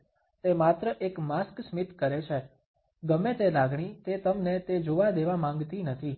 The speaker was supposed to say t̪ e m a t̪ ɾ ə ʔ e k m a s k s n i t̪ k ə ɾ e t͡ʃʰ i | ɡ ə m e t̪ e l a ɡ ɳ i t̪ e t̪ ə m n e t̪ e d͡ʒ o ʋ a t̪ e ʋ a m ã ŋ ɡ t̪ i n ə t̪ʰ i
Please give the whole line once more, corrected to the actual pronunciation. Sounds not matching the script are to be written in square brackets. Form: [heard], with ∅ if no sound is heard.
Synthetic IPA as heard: t̪ e m a t̪ ɾ ə ʔ e k m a s k s [m] i t̪ k ə ɾ e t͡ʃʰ [e] | ɡ ə m e t̪ e l a ɡ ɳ i t̪ e t̪ ə m n e t̪ e d͡ʒ o ʋ a [d̪] e ʋ a m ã ŋ ɡ t̪ i n ə t̪ʰ i